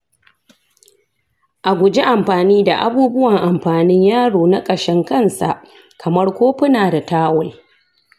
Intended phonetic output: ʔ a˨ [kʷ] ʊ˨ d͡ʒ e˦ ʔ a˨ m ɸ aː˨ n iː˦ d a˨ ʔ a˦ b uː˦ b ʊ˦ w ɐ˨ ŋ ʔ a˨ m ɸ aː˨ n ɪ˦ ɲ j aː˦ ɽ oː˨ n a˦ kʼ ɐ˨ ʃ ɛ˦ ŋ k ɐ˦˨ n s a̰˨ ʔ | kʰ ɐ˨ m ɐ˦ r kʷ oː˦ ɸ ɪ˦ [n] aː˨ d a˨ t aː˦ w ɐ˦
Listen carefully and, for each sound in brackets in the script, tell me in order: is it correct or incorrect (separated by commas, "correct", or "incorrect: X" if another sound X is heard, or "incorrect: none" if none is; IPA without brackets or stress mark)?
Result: incorrect: ɡʷ, correct